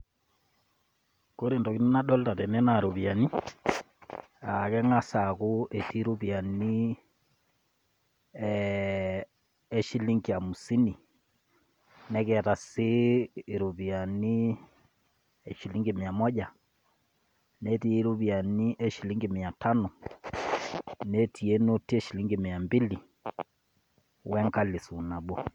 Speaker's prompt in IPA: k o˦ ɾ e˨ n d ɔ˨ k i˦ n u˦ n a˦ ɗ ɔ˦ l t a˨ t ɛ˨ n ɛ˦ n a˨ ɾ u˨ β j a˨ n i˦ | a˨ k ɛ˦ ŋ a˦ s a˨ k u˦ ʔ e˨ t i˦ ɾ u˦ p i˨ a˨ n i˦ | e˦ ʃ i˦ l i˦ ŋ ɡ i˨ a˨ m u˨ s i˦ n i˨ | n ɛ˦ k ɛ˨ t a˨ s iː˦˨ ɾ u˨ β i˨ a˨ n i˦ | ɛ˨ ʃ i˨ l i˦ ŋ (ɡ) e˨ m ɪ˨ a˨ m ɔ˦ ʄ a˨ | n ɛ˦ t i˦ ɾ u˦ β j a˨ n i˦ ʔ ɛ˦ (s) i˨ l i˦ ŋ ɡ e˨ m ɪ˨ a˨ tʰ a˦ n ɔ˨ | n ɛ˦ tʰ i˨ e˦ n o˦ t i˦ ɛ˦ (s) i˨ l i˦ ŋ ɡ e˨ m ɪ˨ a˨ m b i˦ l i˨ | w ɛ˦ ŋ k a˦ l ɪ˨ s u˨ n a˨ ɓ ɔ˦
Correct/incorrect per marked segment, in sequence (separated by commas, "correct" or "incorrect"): correct, incorrect, incorrect